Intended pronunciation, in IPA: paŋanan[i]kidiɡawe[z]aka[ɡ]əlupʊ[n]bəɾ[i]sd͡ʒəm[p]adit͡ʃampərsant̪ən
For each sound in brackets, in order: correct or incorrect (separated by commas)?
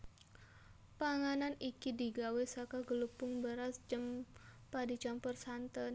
correct, incorrect, correct, incorrect, incorrect, correct